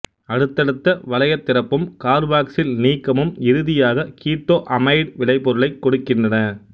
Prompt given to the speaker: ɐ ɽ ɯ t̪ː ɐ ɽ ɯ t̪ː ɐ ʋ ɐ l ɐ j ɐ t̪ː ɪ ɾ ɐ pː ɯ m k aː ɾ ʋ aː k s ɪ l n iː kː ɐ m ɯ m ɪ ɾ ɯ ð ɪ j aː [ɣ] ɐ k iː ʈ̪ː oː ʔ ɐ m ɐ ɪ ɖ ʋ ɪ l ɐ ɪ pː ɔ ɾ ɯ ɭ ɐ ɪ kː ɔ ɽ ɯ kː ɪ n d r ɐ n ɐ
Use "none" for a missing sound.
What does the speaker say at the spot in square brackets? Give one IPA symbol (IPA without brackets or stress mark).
ɣ